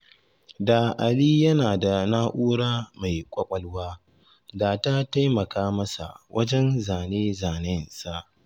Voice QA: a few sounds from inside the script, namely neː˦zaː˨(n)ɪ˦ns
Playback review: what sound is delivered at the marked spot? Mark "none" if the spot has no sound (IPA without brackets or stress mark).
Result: n